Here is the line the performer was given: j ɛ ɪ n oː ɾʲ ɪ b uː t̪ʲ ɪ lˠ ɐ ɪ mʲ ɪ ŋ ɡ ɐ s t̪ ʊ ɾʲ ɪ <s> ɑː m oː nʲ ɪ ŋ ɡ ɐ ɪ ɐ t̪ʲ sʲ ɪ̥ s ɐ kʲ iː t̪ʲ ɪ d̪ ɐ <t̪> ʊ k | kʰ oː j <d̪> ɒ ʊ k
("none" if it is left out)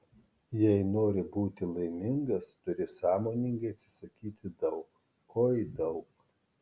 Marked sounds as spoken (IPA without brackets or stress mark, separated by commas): s, none, d̪